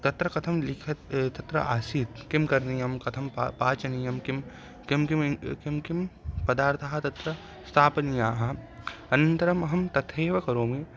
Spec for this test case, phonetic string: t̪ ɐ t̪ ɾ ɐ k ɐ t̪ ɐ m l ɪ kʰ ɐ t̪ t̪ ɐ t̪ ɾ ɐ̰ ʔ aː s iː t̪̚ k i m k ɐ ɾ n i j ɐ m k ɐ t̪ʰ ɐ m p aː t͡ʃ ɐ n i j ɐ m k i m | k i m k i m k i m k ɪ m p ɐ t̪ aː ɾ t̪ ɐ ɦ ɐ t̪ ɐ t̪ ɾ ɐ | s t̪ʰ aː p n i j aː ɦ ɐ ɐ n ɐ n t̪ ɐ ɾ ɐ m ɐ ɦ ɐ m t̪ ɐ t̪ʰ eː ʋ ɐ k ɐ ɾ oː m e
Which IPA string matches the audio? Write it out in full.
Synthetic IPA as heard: t̪ ɐ t̪ ɾ ɐ k ɐ t̪ʰ ɐ m l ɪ kʰ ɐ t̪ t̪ ɐ t̪ ɾ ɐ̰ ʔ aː s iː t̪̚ k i m k ɐ ɾ n i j ɐ m k ɐ t̪ʰ ɐ m p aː t͡ʃ ɐ n i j ɐ m k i m | k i m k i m k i m k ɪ m p ɐ d̪ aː ɾ t̪ʰ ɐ ɦ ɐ t̪ ɐ t̪ ɾ ɐ | s t̪ʰ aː p n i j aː ɦ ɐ ɐ n ɐ n t̪ ɐ ɾ ɐ m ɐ ɦ ɐ m t̪ ɐ t̪ʰ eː ʋ ɐ k ɐ ɾ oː m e